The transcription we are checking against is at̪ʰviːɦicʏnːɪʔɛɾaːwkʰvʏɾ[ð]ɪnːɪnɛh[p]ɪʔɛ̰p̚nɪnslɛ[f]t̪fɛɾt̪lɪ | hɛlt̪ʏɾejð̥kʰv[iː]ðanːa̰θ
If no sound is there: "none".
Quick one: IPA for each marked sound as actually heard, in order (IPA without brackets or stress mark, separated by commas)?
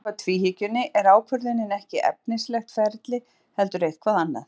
ð, c, x, aː